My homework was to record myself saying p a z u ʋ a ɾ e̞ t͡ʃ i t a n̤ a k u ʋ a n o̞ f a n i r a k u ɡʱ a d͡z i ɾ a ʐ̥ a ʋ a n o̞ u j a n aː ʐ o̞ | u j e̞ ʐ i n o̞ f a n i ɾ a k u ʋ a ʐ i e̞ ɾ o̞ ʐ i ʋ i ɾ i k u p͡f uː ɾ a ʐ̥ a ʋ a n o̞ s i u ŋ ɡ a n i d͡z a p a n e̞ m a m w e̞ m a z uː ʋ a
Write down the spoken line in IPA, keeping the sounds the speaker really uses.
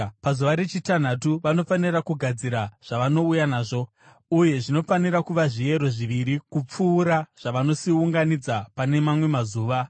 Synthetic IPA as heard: p a z u ʋ a ɾ e̞ t͡ʃ i t a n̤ a t u ʋ a n o̞ f a n i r a k u ɡʱ a d͡z i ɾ a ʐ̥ a ʋ a n o̞ u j a n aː ʐ o̞ | u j e̞ ʐ i n o̞ f a n i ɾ a k u ʋ a ʐ i e̞ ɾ o̞ ʐ i ʋ i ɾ i k u p͡f uː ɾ a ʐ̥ a ʋ a n o̞ s i u ŋ ɡ a n i d͡z a p a n e̞ m a m w e̞ m a z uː ʋ a